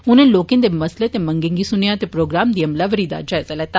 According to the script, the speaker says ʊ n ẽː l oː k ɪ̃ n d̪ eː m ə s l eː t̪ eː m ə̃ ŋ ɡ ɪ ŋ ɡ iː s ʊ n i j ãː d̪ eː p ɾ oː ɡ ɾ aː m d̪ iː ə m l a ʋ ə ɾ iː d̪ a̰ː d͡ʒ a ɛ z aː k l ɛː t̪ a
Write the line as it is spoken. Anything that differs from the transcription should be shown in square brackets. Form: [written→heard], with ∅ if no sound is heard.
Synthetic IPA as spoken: ʊ n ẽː l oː k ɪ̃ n d̪ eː m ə s l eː t̪ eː m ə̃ ŋ ɡ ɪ ŋ ɡ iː s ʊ n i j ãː [d̪→t̪] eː p ɾ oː ɡ ɾ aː m d̪ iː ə m l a ʋ ə ɾ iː d̪ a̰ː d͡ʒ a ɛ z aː [k→∅] l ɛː t̪ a